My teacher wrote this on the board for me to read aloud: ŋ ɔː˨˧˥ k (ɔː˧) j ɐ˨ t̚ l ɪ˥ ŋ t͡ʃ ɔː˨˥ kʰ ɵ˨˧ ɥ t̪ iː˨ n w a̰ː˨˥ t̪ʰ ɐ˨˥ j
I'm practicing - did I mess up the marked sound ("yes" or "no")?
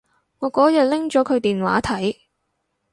yes